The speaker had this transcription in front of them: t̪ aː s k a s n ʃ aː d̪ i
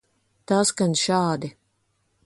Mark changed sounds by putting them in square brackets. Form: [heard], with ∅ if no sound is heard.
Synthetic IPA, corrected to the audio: t̪ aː s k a [∅] n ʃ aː d̪ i